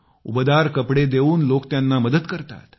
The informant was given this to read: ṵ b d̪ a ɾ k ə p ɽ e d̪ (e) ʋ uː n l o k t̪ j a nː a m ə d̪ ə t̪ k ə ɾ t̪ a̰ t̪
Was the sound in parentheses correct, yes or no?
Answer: yes